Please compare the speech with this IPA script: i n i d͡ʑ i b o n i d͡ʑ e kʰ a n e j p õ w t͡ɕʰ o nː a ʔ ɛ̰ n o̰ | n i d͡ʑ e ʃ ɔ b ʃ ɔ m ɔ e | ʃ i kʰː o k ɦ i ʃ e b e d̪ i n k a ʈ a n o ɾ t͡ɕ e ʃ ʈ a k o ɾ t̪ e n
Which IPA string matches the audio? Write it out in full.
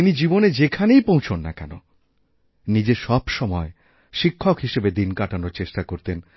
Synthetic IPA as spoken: i n i d͡ʑ i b o n e d͡ʑ e kʰ a n e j p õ w t͡ɕʰ o nː a k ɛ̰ n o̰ | n i d͡ʑ e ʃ ɔ b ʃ ɔ m ɔ e | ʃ i kʰː o k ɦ i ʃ e b e d̪ i n k a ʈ a n o ɾ t͡ɕ e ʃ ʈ a k o ɾ t̪ e n